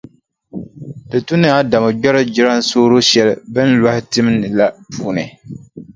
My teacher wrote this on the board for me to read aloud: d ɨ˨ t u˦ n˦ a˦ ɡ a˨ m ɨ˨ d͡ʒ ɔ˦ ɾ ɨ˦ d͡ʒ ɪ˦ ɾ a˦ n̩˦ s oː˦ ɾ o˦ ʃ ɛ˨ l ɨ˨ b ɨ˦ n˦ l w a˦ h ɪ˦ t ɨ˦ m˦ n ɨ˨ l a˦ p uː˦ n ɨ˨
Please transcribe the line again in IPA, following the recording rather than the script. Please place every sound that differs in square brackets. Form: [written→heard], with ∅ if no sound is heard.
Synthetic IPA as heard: d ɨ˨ t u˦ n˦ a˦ [ɡ→d] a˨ m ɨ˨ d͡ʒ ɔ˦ ɾ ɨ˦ d͡ʒ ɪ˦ ɾ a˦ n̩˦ s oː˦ ɾ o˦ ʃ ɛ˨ l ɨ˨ b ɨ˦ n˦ l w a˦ h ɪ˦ t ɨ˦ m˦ n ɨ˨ l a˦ p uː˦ n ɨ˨

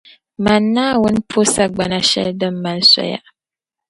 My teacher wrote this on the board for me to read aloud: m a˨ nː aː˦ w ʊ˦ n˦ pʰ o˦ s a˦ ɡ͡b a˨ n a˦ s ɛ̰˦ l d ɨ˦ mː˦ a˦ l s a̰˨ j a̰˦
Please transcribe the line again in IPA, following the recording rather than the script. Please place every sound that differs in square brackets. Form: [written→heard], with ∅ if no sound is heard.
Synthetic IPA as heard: m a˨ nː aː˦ w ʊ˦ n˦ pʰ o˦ s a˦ ɡ͡b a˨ n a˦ [s→ʃ] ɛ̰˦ l d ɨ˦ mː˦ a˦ l s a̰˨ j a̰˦

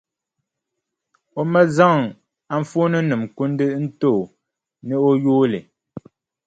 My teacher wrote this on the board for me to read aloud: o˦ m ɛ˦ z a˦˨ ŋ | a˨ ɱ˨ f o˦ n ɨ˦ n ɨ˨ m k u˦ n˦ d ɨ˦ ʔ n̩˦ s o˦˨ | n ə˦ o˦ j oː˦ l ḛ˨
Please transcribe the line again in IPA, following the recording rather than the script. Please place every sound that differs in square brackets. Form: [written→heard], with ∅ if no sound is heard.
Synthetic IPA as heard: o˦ m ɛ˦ z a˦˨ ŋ | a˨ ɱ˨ f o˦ n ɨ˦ n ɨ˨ m k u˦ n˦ d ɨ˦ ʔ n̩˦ [s→t] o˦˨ | n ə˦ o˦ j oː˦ l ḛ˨

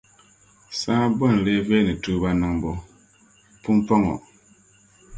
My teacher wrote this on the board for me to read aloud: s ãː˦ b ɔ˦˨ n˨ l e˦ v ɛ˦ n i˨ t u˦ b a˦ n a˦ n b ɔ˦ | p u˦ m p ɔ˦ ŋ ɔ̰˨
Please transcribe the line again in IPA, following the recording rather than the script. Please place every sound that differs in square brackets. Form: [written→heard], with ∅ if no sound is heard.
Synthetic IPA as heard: s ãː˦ b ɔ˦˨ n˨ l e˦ v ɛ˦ n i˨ t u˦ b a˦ n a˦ [n→ŋ] b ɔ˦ | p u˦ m p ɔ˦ ŋ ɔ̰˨

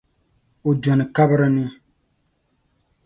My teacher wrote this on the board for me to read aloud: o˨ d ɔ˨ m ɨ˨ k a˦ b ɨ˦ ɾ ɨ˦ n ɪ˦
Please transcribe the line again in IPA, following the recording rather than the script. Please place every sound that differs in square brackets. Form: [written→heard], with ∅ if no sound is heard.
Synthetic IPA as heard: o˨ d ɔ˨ [m→n] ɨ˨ k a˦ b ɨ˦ ɾ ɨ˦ n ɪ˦

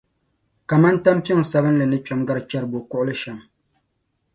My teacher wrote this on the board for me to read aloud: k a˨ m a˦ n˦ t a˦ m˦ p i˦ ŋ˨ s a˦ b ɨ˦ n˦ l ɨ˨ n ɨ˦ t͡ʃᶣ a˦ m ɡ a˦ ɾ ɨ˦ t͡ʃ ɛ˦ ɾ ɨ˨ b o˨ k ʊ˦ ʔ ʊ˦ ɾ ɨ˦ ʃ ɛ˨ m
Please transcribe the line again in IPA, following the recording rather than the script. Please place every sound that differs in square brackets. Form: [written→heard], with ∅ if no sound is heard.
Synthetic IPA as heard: k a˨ m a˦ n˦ t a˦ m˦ p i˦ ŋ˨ s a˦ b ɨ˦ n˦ l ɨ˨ n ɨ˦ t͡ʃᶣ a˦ m ɡ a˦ ɾ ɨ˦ t͡ʃ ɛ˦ ɾ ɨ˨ b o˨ k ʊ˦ ʔ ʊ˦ [ɾ→l] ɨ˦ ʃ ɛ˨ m

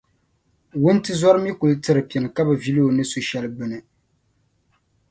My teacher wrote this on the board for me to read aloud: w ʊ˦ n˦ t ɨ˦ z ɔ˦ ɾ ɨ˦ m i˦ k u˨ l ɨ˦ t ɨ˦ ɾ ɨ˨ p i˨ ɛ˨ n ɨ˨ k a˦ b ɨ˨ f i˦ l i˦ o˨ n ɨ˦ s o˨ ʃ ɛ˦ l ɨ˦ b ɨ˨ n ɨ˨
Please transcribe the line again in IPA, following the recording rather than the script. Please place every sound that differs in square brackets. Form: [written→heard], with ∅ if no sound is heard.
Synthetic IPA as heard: w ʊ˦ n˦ t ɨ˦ z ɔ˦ ɾ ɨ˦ m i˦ k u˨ l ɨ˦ t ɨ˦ ɾ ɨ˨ p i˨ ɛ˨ n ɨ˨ k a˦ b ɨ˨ [f→v] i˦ l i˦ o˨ n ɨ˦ s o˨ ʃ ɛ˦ l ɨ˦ b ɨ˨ n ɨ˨

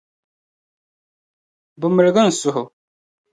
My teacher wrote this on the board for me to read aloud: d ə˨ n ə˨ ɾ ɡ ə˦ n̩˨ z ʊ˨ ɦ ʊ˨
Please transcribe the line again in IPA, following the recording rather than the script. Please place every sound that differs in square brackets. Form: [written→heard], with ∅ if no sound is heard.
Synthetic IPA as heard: [d→b] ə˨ [n→m] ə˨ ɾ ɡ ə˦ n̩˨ [z→s] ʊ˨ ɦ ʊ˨

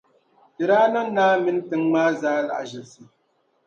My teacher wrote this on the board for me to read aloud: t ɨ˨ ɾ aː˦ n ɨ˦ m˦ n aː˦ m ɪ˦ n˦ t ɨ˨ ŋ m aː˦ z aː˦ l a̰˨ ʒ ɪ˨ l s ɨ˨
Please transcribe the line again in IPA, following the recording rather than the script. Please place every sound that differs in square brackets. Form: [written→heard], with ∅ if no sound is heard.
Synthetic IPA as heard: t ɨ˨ ɾ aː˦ n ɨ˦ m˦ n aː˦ m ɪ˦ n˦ t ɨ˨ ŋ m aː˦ z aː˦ l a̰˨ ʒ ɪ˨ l s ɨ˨

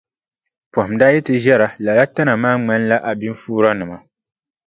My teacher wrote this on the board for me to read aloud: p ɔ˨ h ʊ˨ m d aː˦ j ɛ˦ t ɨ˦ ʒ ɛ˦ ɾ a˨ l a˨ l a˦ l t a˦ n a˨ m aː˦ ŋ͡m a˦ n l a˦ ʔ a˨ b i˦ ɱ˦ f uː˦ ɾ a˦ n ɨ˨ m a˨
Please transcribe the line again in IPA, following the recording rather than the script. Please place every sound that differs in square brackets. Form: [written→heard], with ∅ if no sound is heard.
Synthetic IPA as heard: p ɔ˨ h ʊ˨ m d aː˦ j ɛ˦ t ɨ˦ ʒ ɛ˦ ɾ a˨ l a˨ l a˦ [l→∅] t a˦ n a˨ m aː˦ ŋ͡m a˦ n l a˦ ʔ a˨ b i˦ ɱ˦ f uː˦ ɾ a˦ n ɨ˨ m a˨

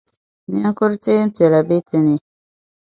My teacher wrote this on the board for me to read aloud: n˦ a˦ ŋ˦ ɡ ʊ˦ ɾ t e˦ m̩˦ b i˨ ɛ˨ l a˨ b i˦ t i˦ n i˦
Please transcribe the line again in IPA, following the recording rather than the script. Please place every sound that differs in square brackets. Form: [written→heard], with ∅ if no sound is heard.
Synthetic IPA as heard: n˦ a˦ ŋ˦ [ɡ→k] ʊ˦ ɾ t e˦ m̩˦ [b→p] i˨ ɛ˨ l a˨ b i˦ t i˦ n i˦

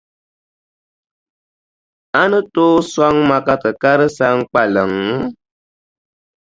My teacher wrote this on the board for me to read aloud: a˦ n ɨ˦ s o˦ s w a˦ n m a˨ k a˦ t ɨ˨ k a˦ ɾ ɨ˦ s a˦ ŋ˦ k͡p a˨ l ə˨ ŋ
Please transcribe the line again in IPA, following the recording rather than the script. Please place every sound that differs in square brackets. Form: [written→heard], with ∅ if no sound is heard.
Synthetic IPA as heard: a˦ n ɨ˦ [s→t] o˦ s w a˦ [n→ŋ] m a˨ k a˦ t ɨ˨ k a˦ ɾ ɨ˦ s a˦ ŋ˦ k͡p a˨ l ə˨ ŋ

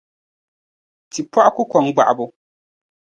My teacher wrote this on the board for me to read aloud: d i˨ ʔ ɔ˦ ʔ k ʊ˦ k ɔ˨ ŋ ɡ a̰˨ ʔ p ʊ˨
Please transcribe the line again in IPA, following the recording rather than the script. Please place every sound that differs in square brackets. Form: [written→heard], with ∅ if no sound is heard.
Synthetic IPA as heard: [d→t] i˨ [ʔ→p] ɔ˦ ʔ k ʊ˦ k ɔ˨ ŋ [ɡ→ɡ͡b] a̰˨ ʔ [p→b] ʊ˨

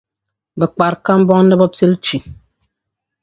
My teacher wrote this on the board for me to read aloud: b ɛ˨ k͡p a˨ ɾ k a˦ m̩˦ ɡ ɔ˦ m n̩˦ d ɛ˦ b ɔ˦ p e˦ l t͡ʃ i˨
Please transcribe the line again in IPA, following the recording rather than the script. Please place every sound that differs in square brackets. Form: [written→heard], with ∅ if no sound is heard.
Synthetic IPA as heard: b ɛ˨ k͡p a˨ ɾ k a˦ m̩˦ [ɡ→b] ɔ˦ [m→ŋ] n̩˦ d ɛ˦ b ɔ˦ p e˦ l t͡ʃ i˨

